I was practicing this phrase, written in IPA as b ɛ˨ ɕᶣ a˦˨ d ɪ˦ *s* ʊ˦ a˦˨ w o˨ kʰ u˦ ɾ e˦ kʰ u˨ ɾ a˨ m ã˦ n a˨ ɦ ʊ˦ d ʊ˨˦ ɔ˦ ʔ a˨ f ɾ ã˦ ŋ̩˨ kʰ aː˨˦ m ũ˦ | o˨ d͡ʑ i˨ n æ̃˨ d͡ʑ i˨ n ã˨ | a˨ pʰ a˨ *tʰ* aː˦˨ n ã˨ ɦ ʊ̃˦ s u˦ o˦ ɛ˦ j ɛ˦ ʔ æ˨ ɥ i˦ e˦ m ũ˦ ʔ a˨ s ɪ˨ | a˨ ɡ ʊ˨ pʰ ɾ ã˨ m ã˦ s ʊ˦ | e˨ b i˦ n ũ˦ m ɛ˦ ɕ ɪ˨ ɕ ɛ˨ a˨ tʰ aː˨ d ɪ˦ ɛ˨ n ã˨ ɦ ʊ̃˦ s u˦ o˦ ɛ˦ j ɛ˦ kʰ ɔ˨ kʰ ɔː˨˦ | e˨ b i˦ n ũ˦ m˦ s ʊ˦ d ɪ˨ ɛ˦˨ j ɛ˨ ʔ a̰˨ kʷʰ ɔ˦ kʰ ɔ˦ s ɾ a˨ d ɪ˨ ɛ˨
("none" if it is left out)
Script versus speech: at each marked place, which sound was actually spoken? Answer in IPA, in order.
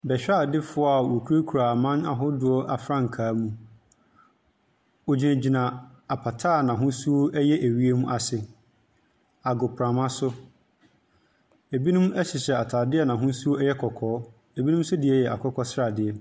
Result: f, tʰ

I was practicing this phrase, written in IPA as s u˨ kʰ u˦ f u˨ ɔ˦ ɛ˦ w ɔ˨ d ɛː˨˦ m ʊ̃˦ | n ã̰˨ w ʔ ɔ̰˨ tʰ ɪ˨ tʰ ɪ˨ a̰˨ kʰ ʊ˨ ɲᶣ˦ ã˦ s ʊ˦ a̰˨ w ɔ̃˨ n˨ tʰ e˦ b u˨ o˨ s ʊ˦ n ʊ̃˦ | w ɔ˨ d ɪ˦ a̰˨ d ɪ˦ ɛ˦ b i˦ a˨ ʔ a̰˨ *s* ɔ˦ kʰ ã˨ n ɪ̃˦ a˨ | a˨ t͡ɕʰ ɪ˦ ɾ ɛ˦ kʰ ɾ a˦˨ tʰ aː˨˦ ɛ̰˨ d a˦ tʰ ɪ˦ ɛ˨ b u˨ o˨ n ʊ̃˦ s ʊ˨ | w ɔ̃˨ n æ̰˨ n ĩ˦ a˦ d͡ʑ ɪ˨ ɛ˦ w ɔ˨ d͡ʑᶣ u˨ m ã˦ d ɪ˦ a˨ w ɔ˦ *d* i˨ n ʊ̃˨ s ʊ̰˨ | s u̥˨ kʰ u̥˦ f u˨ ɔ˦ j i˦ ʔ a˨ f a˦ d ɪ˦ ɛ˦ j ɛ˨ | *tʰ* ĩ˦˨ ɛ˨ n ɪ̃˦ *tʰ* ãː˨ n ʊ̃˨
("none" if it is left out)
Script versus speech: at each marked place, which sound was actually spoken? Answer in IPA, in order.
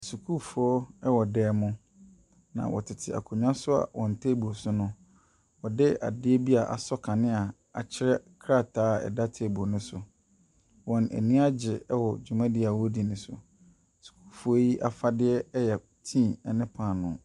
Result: s, d, tʰ, pʰ

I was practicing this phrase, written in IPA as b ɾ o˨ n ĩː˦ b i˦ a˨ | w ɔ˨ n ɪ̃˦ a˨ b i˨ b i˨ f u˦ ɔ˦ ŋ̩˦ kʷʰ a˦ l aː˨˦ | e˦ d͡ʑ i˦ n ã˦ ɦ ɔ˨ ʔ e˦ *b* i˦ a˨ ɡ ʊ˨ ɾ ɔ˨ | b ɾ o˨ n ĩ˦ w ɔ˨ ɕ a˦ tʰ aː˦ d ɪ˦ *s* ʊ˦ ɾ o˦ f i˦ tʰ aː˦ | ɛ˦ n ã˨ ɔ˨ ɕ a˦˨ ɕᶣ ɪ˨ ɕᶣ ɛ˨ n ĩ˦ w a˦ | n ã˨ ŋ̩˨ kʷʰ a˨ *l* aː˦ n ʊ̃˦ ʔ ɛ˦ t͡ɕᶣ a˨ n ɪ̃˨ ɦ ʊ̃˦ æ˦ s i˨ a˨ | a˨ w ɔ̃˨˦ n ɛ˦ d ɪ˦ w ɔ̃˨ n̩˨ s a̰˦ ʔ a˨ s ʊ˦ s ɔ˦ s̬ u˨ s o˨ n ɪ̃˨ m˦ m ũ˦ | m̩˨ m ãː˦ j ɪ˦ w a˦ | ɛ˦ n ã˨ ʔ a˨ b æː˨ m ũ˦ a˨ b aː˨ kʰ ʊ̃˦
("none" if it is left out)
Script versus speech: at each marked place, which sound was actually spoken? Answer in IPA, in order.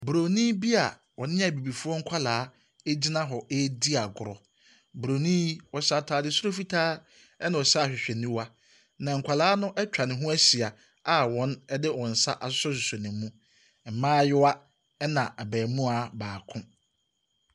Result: d, s, l

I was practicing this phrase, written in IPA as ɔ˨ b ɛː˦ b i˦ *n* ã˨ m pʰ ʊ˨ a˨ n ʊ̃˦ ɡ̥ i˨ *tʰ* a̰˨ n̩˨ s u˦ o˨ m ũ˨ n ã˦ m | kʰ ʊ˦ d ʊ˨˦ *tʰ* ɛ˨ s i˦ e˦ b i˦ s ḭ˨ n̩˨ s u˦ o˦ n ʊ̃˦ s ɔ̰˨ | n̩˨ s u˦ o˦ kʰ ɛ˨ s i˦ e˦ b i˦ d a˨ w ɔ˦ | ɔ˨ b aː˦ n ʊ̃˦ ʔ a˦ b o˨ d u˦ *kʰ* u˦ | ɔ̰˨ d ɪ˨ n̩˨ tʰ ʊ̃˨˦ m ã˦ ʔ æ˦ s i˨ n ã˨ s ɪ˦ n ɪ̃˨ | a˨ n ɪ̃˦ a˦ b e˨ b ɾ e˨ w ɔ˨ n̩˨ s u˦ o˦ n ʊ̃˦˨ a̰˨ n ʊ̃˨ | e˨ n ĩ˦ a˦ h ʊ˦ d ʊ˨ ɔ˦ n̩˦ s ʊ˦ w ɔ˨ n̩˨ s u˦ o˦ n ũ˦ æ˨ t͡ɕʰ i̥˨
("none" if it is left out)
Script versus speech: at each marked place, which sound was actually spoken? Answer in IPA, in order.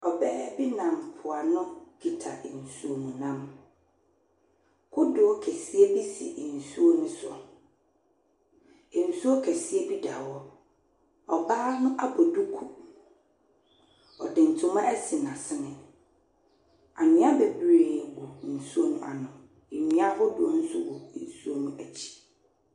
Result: n, tʰ, kʰ, kʰ

